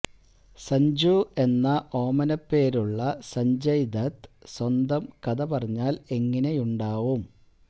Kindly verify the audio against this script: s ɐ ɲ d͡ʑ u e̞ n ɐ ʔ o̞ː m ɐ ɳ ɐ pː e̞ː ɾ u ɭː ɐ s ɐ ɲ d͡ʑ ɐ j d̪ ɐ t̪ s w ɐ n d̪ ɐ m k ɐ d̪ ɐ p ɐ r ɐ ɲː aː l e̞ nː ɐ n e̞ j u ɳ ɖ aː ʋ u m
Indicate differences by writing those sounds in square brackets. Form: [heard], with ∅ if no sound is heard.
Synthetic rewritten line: s ɐ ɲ d͡ʑ u e̞ [nː] ɐ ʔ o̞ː m ɐ [n] ɐ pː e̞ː ɾ u ɭː ɐ s ɐ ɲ d͡ʑ ɐ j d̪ ɐ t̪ s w ɐ n d̪ ɐ m k ɐ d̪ ɐ p ɐ r ɐ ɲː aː l e̞ [ŋː] ɐ n e̞ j u ɳ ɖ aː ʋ u m